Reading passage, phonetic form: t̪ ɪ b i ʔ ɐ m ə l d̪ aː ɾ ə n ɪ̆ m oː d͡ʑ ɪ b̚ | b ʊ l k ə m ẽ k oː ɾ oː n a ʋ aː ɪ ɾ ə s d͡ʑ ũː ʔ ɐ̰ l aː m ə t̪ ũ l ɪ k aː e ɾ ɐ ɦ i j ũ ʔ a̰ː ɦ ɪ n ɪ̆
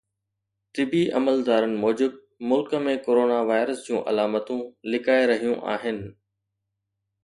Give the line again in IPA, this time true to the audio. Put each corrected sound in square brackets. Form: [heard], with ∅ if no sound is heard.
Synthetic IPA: t̪ ɪ b i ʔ ɐ m ə l d̪ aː ɾ ə n ɪ̆ m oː d͡ʑ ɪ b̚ | [m] ʊ l k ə m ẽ k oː ɾ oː n a ʋ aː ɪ ɾ ə s d͡ʑ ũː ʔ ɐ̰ l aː m ə t̪ ũ l ɪ k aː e ɾ ɐ ɦ i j ũ ʔ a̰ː ɦ ɪ n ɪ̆